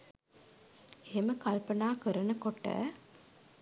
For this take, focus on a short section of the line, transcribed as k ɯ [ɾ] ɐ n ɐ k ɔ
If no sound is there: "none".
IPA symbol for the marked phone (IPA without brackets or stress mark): ɾ